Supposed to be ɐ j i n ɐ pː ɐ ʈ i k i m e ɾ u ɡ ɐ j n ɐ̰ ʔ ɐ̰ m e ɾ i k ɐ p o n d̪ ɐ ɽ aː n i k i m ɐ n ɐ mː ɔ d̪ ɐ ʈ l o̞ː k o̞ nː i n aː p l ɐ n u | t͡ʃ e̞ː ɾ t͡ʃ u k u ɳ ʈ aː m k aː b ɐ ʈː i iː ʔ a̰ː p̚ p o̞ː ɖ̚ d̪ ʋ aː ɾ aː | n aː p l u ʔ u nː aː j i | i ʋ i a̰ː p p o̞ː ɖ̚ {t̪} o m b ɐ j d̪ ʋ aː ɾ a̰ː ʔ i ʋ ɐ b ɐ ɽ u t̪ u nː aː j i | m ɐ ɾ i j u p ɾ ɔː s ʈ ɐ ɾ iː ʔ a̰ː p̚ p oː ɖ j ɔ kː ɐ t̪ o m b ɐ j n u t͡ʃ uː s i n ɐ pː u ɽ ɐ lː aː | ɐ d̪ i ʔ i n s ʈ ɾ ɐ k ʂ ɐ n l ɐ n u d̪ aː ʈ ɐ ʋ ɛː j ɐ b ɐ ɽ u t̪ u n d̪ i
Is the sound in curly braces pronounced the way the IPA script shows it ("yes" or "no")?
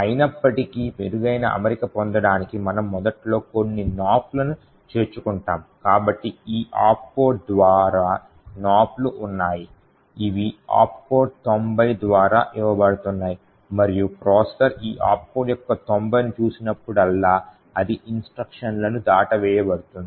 yes